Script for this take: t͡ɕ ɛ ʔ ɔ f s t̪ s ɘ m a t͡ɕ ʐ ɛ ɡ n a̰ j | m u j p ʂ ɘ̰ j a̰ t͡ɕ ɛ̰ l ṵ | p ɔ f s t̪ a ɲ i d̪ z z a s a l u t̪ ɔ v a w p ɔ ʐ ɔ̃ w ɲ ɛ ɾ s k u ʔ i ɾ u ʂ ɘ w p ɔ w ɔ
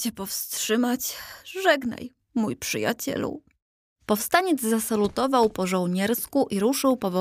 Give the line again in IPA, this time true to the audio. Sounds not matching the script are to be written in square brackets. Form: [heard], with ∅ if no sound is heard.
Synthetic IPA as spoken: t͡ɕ ɛ [p] ɔ f s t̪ [ʂ] ɘ m a t͡ɕ ʐ ɛ ɡ n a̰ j | m u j p ʂ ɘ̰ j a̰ t͡ɕ ɛ̰ l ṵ | p ɔ f s t̪ a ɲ [ɛ] d̪ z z a s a l u t̪ ɔ v a w p ɔ ʐ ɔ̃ w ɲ ɛ ɾ s k u ʔ i ɾ u ʂ ɘ w p ɔ [v] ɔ